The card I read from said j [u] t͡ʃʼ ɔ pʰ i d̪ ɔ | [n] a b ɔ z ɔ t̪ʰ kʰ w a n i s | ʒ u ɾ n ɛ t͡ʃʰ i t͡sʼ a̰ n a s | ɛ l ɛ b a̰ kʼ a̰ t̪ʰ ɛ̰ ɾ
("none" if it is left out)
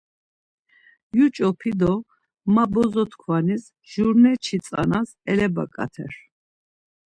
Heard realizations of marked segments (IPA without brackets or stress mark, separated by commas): u, m